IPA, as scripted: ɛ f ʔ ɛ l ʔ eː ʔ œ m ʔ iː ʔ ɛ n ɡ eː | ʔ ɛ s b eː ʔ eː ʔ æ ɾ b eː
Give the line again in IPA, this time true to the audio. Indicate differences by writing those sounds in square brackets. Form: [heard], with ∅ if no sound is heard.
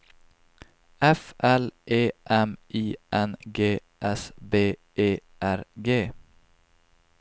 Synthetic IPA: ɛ f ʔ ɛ l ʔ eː ʔ [ɛ] m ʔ iː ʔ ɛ n ɡ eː | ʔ ɛ s b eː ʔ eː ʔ æ ɾ [ɡ] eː